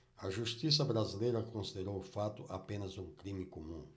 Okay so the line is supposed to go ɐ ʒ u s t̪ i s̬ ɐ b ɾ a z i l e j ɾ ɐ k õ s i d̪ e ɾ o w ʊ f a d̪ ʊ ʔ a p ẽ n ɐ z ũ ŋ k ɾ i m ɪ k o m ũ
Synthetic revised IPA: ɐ ʒ u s t̪ i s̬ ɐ b ɾ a z i l e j ɾ ɐ k õ s i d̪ e ɾ o w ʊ f a t̪ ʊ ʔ a p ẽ n ɐ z ũ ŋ k ɾ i m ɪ k o m ũ